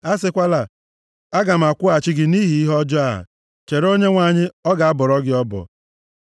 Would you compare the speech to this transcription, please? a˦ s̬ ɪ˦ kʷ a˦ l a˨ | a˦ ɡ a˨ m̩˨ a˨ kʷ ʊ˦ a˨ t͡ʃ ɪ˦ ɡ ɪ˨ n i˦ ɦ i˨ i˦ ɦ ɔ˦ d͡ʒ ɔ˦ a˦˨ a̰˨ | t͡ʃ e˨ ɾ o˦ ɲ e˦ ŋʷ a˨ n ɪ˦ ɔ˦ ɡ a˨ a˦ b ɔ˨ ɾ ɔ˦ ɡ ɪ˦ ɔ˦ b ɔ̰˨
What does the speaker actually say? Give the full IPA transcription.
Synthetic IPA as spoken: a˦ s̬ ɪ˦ kʷ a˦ l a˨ | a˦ ɡ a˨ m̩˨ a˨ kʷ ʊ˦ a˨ t͡ʃ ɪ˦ ɡ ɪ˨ n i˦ ɦ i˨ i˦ ɦ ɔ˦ d͡ʒ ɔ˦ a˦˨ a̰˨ | t͡ʃ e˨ ɾ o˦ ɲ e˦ ŋʷ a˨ ɲ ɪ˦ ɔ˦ ɡ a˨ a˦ b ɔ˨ ɾ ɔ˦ ɡ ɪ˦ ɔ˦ b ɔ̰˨